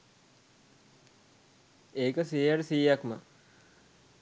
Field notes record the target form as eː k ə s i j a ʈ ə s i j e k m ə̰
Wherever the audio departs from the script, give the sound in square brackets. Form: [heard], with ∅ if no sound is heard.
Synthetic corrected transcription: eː k ə s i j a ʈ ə s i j [a] k m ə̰